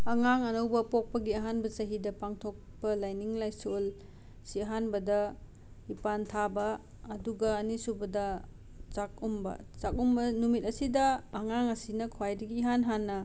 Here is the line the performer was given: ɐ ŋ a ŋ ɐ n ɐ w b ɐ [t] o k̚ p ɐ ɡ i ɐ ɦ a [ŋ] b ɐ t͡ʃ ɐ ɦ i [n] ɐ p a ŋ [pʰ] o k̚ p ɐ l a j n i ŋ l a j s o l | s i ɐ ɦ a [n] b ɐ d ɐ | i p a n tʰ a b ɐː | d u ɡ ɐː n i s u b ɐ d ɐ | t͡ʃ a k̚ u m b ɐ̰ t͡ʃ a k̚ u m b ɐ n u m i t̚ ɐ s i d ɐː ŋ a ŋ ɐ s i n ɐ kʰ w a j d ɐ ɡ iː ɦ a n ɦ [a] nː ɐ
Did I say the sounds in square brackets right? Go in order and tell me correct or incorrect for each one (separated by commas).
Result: incorrect, incorrect, incorrect, incorrect, correct, correct